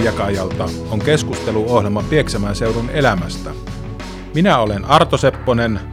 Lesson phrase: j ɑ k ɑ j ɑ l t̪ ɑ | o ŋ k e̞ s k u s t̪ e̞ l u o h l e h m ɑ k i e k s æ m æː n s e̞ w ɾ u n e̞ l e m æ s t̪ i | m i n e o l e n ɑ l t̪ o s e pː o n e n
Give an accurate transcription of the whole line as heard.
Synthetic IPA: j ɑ k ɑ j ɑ l t̪ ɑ | o ŋ k e̞ s k u s t̪ e̞ l u o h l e m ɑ p i e k s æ m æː n s e̞ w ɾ u n e̞ l æ m æ s t̪ æ | m i n æ o l e n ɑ r t̪ o s e pː o n e n